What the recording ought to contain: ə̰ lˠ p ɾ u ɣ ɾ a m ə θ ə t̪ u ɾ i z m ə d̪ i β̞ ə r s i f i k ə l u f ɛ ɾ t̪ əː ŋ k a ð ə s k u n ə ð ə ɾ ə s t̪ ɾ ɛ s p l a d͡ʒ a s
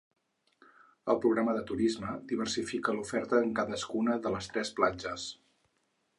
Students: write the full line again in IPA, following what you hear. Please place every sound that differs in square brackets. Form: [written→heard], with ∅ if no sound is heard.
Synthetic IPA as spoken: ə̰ lˠ p ɾ u ɣ ɾ a m ə [θ→ð] ə t̪ u ɾ i z m ə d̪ i β̞ ə r s i f i k ə l u f ɛ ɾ t̪ əː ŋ k a ð ə s k u n ə ð ə [ɾ→l] ə s t̪ ɾ ɛ s p l a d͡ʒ [a→ə] s